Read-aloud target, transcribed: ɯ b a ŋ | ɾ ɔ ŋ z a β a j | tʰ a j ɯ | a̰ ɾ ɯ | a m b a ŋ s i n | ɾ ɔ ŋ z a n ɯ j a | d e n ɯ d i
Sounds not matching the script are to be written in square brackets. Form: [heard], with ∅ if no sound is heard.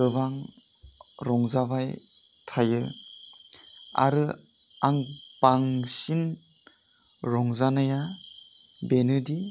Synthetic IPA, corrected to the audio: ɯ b a ŋ | ɾ ɔ ŋ z a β a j | tʰ a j ɯ | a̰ ɾ ɯ | a [ŋ] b a ŋ s i n | ɾ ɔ ŋ z a n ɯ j a | [b] e n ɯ d i